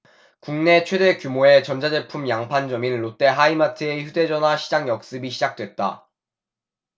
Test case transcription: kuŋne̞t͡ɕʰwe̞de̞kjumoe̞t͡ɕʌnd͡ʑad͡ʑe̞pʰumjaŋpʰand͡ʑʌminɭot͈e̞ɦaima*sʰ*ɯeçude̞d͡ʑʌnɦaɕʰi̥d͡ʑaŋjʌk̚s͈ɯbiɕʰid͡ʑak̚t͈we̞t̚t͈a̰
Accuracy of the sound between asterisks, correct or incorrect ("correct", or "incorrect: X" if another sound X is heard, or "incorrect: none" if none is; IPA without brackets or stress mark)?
incorrect: tʰ